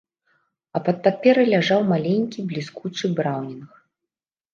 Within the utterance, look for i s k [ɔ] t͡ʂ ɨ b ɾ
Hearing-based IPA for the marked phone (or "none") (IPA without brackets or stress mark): u